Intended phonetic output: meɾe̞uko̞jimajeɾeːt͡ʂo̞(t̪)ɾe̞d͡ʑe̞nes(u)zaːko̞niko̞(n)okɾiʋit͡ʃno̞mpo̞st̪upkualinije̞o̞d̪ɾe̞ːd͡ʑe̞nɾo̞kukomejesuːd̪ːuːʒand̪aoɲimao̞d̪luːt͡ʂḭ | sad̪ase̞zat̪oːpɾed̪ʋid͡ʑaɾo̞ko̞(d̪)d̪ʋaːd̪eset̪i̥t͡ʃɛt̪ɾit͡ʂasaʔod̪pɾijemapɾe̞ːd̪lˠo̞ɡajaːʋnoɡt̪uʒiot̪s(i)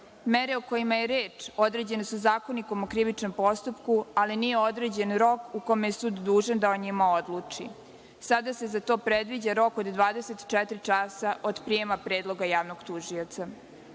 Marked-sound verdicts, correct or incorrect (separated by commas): incorrect, correct, incorrect, correct, incorrect